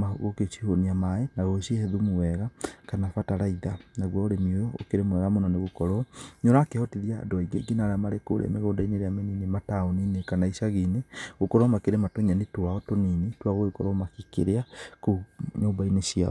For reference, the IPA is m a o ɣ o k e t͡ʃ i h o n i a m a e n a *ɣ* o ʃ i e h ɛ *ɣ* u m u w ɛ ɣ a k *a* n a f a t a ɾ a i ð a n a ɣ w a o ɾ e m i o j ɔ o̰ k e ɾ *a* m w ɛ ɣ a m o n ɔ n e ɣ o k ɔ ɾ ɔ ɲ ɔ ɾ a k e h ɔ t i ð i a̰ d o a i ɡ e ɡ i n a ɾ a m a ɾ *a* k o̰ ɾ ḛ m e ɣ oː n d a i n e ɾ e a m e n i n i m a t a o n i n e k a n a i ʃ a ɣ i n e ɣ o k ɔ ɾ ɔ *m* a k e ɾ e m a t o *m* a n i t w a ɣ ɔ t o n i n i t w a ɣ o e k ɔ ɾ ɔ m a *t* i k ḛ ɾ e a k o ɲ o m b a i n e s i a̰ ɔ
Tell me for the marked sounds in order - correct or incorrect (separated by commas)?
correct, incorrect, correct, incorrect, incorrect, correct, incorrect, incorrect